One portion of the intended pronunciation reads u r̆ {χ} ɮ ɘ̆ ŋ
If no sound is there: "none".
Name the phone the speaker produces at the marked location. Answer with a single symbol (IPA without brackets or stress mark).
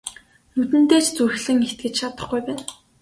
x